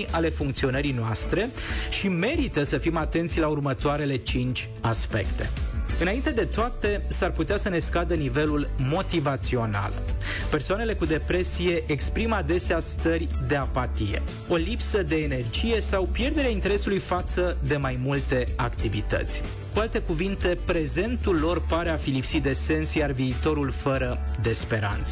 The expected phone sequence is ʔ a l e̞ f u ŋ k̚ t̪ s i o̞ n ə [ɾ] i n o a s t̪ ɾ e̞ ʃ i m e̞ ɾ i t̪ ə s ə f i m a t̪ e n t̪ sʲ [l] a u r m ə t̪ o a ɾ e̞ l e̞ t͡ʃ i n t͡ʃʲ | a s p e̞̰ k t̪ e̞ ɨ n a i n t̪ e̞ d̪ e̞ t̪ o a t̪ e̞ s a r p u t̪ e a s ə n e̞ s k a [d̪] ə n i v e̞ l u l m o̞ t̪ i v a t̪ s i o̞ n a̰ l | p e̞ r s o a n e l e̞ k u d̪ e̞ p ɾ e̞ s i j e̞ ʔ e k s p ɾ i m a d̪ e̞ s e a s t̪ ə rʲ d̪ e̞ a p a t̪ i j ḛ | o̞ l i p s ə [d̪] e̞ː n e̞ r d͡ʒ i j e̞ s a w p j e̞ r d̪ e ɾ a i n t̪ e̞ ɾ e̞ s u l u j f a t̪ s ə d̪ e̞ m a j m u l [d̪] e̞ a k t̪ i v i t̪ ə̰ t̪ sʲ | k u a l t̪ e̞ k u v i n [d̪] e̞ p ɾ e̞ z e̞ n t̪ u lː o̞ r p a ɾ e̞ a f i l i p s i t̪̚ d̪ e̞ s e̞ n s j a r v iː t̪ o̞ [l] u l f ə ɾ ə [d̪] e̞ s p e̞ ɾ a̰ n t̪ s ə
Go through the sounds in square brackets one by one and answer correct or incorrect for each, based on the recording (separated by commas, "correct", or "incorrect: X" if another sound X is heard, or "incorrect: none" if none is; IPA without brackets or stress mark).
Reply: correct, correct, correct, correct, incorrect: t̪, incorrect: t̪, incorrect: ɾ, correct